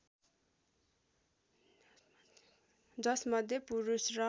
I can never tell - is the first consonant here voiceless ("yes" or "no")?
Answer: no